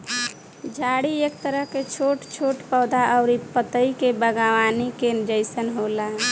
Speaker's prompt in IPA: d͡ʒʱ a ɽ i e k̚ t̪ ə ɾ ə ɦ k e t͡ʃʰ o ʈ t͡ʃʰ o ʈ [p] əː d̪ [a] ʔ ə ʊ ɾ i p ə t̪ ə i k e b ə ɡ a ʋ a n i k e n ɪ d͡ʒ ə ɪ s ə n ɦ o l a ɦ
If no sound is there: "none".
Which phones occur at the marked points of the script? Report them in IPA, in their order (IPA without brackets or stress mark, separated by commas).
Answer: p, a